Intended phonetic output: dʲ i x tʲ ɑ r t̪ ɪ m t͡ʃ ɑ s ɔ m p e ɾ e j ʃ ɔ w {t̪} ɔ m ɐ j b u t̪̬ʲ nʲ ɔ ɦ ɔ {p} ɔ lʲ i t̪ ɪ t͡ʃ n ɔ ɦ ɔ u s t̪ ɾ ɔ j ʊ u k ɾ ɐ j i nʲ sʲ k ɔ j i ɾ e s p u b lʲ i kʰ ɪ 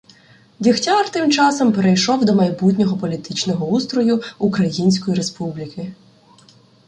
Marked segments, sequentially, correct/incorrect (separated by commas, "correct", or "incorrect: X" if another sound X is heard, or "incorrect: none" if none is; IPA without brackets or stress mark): incorrect: d̪, correct